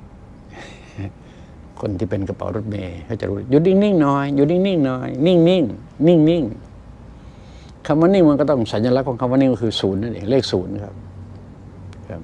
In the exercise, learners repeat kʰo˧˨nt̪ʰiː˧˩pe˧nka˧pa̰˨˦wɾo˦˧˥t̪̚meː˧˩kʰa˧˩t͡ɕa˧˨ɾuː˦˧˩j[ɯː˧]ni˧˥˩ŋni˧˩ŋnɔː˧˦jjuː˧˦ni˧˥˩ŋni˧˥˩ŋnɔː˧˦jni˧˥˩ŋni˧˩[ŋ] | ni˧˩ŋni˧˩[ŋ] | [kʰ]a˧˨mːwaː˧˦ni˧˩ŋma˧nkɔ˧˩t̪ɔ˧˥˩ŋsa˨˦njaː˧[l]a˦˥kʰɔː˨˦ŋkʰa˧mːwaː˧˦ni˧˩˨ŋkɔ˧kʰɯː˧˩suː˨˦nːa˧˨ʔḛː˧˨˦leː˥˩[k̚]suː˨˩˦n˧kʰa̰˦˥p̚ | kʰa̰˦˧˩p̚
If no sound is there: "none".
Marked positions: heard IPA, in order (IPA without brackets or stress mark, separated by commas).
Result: uː˧, ŋ, ŋ, kʰ, l, k̚